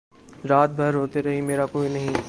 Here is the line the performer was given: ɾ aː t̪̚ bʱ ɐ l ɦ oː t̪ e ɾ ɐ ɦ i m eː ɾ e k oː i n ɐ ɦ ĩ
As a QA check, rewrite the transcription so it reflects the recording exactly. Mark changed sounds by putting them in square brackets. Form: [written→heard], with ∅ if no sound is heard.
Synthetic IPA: ɾ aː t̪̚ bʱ ɐ [l→ɾ] ɦ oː t̪ e ɾ ɐ ɦ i m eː ɾ [e→a] k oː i n ɐ ɦ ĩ

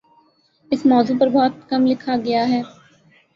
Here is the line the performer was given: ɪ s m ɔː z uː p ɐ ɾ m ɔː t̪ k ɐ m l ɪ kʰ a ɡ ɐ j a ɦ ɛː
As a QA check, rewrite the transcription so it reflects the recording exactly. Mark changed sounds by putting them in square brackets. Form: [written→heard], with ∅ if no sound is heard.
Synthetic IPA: ɪ s m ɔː z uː p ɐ ɾ [m→b] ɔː t̪ k ɐ m l ɪ kʰ a ɡ ɐ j a ɦ ɛː

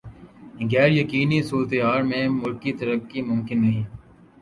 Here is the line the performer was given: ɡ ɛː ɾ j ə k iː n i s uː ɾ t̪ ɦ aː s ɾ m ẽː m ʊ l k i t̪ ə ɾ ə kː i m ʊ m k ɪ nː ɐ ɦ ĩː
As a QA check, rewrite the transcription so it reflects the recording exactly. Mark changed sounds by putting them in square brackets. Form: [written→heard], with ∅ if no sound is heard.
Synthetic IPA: ɡ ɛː ɾ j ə k iː n i s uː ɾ t̪ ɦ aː [s→∅] ɾ m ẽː m ʊ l k i t̪ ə ɾ ə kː i m ʊ m k ɪ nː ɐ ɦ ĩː

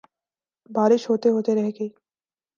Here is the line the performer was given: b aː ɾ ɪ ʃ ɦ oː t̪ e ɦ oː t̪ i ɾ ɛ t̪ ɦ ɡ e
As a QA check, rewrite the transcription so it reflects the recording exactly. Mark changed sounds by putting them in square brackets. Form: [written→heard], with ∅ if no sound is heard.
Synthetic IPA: b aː ɾ ɪ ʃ ɦ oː t̪ e ɦ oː t̪ [i→e] ɾ ɛ [t̪→∅] ɦ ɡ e

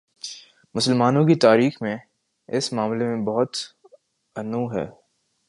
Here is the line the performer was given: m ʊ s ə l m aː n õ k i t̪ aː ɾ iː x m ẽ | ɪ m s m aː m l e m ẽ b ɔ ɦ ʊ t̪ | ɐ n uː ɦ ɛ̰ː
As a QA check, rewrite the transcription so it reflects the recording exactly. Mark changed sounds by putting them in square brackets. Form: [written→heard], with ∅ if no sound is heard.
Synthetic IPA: m ʊ s ə l m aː n õ k i t̪ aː ɾ iː x m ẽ | ɪ [m→∅] s m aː m l e m ẽ b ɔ ɦ ʊ t̪ | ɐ n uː ɦ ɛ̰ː

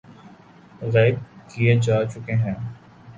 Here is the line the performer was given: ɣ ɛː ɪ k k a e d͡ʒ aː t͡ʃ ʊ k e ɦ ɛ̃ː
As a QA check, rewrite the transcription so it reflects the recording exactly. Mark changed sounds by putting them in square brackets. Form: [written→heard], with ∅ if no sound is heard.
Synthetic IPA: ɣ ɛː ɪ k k [a→i] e d͡ʒ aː t͡ʃ ʊ k e ɦ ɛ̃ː

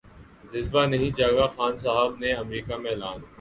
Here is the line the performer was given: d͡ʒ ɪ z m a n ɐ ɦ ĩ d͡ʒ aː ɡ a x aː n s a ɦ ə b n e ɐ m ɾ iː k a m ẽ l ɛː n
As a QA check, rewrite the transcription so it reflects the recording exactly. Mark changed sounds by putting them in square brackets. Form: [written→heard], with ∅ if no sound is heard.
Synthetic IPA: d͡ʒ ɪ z [m→b] a n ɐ ɦ ĩ d͡ʒ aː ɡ a x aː n s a ɦ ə b n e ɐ m ɾ iː k a m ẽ l [ɛː→aː] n

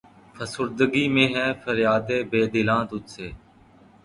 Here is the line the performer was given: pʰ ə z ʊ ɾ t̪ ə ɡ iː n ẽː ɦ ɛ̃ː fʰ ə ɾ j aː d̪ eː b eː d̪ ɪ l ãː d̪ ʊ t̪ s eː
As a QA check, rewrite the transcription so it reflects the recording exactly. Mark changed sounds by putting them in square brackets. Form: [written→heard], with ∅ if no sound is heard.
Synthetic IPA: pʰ ə [z→s] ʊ ɾ [t̪→d̪] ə ɡ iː [n→m] ẽː ɦ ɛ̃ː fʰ ə ɾ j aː d̪ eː b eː d̪ ɪ l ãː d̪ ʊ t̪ s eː

